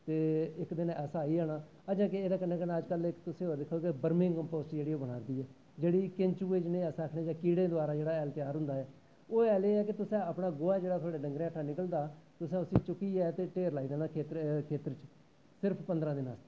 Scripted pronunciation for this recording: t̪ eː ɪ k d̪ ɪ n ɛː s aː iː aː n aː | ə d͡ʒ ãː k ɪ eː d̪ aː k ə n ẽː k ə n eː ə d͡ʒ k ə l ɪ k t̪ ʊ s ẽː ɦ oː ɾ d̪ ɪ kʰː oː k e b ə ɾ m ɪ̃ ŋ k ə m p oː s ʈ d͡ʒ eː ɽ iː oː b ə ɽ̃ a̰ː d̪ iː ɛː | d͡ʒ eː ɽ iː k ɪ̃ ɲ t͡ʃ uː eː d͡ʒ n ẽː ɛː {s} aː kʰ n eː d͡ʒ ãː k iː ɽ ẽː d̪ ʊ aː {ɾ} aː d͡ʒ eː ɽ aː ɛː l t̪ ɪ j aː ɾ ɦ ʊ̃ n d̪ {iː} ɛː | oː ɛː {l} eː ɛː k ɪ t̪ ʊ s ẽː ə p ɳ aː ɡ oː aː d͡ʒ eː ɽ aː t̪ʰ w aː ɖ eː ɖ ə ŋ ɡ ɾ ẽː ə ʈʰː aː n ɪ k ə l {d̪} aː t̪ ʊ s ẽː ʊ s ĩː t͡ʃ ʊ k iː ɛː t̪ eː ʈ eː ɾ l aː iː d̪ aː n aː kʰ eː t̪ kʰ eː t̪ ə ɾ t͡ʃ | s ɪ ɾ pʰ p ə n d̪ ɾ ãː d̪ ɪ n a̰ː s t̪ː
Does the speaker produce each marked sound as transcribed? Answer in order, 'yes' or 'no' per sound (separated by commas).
yes, yes, no, yes, yes